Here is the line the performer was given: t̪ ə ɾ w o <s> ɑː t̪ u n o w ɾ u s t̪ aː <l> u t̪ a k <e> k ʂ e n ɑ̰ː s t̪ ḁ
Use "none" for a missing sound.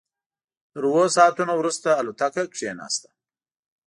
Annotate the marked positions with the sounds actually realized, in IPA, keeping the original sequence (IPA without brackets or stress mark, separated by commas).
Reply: s, l, a